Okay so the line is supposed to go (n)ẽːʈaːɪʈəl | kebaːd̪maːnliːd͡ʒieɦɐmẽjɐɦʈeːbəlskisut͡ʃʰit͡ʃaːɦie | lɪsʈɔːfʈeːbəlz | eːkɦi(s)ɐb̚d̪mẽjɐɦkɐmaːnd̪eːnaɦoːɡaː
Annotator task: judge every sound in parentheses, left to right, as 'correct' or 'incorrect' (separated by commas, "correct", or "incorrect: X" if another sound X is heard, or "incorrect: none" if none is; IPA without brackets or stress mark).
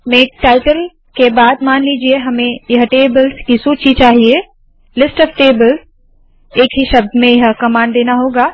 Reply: incorrect: m, incorrect: ʃ